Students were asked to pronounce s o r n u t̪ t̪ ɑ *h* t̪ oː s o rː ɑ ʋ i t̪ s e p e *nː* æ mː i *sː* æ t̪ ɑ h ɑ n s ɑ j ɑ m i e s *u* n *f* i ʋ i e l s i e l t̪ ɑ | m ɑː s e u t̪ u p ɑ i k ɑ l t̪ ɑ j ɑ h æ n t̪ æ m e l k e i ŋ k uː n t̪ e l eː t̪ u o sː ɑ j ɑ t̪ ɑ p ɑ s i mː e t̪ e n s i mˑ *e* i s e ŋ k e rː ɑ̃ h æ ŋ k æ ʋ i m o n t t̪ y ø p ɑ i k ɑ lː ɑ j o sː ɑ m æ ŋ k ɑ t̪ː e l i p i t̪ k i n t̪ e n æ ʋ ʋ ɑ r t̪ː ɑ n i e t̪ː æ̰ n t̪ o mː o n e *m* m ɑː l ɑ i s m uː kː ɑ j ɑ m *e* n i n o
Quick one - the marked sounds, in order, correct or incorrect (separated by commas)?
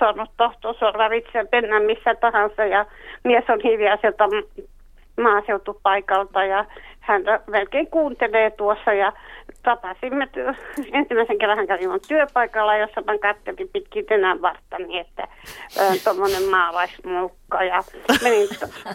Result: correct, correct, correct, incorrect, incorrect, incorrect, correct, correct